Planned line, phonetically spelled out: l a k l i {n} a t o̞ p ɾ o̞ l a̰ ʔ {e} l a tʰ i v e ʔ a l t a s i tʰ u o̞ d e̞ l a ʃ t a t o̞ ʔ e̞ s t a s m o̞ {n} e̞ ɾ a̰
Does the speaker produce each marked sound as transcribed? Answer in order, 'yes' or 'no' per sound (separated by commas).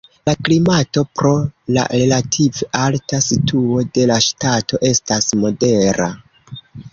no, yes, no